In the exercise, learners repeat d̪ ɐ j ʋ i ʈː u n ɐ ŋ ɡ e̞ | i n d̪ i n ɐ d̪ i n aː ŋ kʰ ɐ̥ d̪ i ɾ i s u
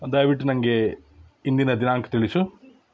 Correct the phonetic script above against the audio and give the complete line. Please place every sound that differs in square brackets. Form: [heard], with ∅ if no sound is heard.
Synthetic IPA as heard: d̪ ɐ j ʋ i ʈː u n ɐ ŋ ɡ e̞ | i n d̪ i n ɐ d̪ i n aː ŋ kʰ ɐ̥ [t̪] i [ɭ] i s u